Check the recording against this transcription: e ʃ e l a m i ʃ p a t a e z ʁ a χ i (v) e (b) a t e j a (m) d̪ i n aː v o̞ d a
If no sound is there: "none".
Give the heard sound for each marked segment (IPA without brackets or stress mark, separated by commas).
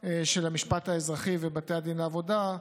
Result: v, b, none